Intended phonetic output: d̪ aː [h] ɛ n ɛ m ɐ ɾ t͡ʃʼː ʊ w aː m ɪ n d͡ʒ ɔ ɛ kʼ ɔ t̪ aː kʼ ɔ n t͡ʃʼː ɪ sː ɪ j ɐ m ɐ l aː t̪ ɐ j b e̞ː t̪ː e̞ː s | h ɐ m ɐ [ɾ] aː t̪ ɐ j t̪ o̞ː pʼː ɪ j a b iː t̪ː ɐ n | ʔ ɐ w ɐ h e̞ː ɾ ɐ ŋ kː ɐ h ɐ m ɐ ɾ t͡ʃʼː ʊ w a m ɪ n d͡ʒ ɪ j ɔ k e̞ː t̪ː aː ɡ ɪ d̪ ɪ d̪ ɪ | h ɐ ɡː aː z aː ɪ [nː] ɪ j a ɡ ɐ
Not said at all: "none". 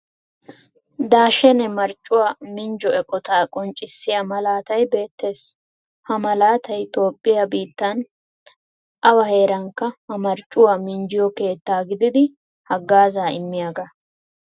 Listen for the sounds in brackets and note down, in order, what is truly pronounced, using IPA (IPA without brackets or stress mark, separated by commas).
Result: ʃ, l, mː